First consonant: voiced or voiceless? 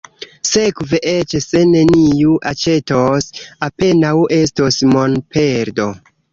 voiceless